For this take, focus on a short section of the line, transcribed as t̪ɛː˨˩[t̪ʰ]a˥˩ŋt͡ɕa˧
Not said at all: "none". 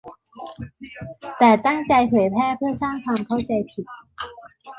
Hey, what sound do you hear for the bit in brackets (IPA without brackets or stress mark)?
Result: t̪